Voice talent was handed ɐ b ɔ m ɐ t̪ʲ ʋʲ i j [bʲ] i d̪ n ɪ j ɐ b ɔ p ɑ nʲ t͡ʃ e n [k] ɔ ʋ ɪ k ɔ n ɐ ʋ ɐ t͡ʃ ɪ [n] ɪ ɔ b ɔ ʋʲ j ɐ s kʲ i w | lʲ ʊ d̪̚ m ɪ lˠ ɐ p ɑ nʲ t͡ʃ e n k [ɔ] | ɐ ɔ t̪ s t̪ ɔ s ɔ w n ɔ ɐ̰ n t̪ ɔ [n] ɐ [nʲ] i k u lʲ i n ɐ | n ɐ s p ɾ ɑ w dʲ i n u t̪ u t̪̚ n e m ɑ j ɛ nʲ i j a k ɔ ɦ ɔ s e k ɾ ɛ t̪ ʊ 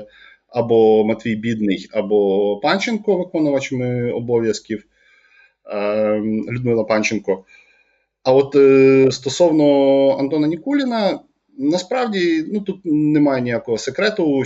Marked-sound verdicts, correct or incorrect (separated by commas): correct, correct, incorrect, correct, correct, correct